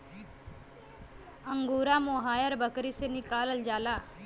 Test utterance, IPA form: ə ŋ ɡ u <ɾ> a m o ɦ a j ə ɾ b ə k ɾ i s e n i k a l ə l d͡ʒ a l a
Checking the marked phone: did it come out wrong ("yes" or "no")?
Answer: no